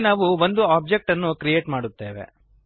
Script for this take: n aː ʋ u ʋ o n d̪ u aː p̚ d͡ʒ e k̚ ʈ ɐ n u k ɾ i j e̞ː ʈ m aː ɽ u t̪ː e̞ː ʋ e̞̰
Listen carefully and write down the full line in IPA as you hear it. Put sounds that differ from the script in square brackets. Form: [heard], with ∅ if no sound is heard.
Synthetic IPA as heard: n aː ʋ u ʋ o n d̪ u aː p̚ d͡ʒ e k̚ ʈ ɐ [nː] u k ɾ i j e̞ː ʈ m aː ɽ u t̪ː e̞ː ʋ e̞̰